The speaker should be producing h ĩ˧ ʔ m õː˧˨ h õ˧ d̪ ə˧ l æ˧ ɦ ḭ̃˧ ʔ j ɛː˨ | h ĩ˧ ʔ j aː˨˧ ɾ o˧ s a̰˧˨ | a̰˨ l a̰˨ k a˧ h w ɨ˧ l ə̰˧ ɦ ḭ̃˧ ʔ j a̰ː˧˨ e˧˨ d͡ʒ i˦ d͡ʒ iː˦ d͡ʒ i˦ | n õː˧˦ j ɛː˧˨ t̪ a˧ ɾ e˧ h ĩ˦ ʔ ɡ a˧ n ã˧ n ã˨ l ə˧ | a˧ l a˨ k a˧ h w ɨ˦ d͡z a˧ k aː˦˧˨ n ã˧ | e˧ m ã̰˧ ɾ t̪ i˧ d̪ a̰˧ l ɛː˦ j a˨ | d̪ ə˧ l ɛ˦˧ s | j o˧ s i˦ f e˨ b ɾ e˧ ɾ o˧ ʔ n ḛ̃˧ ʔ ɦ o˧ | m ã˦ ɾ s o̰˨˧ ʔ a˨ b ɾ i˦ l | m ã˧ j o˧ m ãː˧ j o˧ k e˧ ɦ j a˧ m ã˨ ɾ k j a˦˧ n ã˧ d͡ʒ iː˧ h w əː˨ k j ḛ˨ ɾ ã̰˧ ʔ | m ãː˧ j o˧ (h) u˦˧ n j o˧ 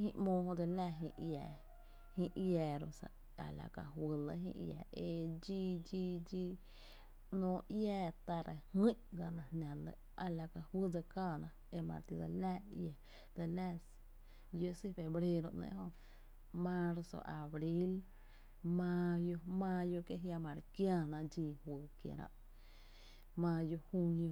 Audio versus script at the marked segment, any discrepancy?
no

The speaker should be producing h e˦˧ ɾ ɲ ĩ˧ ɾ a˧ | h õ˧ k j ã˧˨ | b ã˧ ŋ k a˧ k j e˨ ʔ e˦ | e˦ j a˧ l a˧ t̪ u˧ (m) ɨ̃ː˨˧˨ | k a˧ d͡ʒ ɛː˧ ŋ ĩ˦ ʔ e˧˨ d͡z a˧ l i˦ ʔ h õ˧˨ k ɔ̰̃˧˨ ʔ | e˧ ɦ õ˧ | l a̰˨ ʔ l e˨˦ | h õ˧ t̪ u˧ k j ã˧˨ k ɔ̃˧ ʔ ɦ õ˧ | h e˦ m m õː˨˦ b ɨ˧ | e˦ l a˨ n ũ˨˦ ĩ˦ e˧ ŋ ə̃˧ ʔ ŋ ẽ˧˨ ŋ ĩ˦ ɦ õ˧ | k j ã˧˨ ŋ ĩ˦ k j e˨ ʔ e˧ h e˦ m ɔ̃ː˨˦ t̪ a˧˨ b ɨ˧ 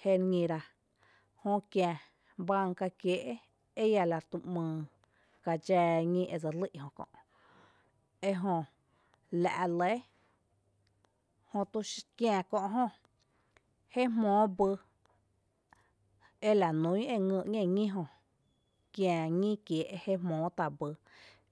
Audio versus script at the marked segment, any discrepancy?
no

